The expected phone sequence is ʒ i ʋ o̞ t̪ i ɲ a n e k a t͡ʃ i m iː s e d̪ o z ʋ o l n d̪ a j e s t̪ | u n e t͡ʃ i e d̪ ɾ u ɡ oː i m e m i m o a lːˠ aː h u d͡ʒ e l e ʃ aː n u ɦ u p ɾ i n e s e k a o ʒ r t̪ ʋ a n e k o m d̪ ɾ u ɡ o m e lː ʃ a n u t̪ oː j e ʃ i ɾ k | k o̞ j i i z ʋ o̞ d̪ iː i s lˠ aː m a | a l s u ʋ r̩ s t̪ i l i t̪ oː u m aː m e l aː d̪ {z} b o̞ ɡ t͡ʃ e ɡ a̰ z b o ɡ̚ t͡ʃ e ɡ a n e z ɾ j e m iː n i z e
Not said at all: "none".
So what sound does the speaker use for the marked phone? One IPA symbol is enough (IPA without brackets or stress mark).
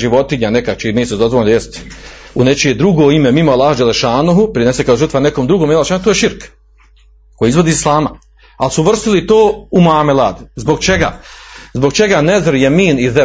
z